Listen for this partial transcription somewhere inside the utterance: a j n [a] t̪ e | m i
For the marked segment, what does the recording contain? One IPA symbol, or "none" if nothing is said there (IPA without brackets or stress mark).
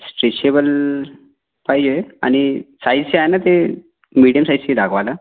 a